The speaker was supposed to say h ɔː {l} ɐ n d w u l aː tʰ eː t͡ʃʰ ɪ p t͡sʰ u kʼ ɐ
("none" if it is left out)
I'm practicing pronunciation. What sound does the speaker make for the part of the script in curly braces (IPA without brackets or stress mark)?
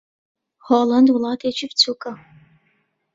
l